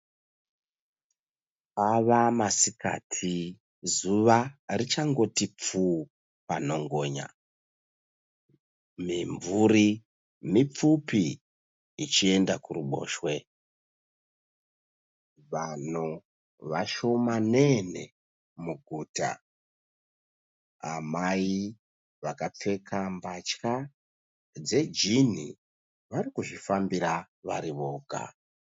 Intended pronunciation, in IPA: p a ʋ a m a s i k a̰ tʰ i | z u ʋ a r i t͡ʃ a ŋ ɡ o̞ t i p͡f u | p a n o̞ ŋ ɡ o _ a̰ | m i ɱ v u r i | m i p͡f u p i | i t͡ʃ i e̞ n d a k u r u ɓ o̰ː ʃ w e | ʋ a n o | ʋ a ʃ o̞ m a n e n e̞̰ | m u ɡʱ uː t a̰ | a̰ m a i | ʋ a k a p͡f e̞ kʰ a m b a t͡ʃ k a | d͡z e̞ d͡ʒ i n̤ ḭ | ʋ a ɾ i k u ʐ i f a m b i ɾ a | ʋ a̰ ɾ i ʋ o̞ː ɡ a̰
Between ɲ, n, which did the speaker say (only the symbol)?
ɲ